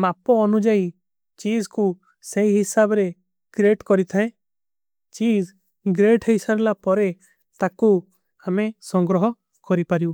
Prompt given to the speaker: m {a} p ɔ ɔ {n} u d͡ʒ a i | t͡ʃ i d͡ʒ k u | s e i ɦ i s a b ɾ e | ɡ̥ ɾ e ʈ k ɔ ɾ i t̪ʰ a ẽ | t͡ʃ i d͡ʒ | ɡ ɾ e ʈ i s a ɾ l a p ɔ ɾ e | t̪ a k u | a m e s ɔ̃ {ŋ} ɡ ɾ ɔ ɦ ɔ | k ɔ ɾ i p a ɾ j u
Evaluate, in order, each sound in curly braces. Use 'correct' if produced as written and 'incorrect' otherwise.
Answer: correct, correct, correct

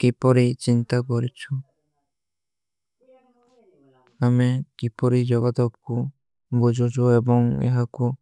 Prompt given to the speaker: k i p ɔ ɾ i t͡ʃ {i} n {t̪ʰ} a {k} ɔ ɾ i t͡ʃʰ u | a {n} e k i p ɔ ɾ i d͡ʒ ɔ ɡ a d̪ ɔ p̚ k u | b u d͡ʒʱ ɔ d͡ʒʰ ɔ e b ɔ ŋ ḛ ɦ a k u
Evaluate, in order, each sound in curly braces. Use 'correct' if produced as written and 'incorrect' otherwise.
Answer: correct, incorrect: t̪, correct, incorrect: m

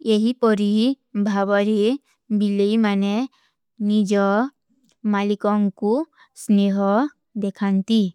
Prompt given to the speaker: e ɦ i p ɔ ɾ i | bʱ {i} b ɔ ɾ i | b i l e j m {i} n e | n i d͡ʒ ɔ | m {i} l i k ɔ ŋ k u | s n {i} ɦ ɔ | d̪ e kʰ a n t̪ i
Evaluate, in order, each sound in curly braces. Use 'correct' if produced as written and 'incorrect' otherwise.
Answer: incorrect: a, incorrect: a, incorrect: a, incorrect: e

